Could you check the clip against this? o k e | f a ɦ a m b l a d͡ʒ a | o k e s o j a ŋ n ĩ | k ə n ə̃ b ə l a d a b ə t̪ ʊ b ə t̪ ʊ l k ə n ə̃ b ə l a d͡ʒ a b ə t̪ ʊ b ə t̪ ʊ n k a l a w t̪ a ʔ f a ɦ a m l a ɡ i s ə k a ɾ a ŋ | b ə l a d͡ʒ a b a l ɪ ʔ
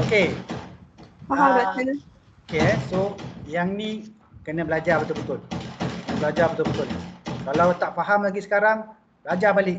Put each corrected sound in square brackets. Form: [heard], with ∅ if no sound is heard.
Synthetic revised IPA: o k e | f a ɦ a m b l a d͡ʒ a | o k e s o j a ŋ n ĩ | k ə n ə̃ b ə l a [d͡ʒ] a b ə t̪ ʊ b ə t̪ ʊ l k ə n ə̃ b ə l a d͡ʒ a b ə t̪ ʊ b ə t̪ ʊ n k a l a w t̪ a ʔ f a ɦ a m l a ɡ i s ə k a ɾ a ŋ | b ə l a d͡ʒ a b a l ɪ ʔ

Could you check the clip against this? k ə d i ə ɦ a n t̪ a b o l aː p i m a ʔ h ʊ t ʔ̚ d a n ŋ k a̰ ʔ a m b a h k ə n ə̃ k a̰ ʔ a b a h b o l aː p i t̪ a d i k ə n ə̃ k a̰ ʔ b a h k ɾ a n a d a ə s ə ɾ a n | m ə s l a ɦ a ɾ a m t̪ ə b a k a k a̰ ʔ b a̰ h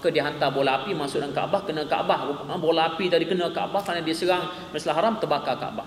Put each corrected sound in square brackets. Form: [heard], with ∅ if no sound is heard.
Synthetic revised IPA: k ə d i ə ɦ a n t̪ a b o l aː p i m a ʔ [s] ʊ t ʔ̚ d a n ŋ k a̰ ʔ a [∅] b a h k ə n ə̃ k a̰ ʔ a b a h b o l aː p i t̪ a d i k ə n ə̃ k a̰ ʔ b a h k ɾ a n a d [i] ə s ə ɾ a [ŋ] | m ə s l a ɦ a ɾ a m t̪ ə b a k a k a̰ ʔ b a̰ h

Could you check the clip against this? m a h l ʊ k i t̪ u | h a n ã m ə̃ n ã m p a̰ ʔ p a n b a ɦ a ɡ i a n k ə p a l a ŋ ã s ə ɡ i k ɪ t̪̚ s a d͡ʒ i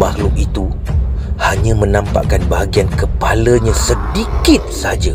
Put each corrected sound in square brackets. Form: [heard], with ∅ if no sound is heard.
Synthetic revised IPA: m a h l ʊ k i t̪ u | h a [ɲ] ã m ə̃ n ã m p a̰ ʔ [k] a n b a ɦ a ɡ i a n k ə p a l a [ɲ] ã s ə [d] i k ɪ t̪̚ s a d͡ʒ [a]

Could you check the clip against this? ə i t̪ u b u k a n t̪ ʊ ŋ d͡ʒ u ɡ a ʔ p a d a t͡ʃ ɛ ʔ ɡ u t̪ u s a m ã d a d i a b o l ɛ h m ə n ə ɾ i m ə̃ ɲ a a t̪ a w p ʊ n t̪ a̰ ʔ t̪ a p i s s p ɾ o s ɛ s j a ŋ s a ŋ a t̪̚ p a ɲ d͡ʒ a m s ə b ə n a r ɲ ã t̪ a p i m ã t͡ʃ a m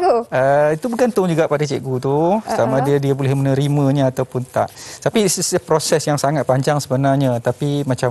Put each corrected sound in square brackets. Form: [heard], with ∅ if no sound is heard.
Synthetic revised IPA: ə i t̪ u b u k a n t̪ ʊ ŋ d͡ʒ u ɡ a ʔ p a d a t͡ʃ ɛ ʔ ɡ u t̪ u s a m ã d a d i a b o l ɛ h m ə n ə ɾ i m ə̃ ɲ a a t̪ a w p ʊ n t̪ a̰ ʔ t̪ a p i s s p ɾ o s ɛ s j a ŋ s a ŋ a t̪̚ p a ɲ d͡ʒ a [ŋ] s ə b ə n a r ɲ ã t̪ a p i m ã t͡ʃ a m

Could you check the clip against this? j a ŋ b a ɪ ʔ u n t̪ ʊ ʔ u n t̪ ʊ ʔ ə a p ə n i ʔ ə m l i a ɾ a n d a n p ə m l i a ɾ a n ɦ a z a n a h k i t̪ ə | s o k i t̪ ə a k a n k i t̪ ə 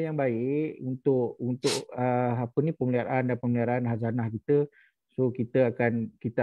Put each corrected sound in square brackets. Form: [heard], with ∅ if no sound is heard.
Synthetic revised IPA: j a ŋ b a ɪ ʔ u n t̪ ʊ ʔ u n t̪ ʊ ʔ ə a p ə n i [p] ə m l i a ɾ a n d a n p ə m l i a ɾ a n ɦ a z a n a h k i t̪ ə | s o k i t̪ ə a k a n k i t̪ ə

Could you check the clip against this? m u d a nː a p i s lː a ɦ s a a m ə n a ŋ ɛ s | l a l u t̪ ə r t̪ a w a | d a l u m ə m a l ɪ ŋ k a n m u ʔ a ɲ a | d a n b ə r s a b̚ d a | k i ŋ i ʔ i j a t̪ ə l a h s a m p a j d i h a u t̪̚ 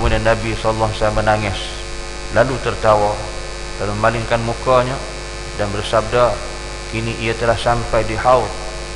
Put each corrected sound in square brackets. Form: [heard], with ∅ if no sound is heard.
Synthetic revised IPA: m u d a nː a [b] i s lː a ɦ s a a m ə n a ŋ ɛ s | l a l u t̪ ə r t̪ a w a | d a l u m ə m a l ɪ ŋ k a n m u [k] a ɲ a | d a n b ə r s a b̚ d a | k i [n] i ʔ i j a t̪ ə l a h s a m p a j d i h a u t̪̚

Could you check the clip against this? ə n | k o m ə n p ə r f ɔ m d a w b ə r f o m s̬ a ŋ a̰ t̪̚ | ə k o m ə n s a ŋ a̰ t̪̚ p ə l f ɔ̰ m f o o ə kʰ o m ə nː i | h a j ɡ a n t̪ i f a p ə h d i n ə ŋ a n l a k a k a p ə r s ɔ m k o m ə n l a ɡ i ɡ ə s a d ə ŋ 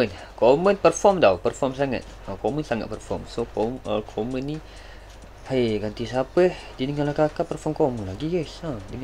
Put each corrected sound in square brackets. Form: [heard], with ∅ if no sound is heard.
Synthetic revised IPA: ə n | k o m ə n p ə r f ɔ m d a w [p] ə r f [ɔ] m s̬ a ŋ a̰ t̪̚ | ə k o m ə n s a ŋ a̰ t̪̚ p ə [r] f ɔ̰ m [s] o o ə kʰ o m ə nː i | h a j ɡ a n t̪ i [s] a p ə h d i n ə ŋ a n l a k a k a p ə r [f] ɔ m k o m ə n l a ɡ i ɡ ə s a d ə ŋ

